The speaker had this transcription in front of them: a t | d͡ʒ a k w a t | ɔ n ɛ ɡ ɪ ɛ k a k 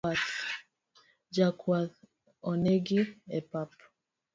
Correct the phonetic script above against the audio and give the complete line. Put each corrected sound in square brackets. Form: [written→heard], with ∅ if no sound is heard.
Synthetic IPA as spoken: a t | d͡ʒ a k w a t | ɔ n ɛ ɡ [ɪ→i] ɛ [k→p] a [k→p]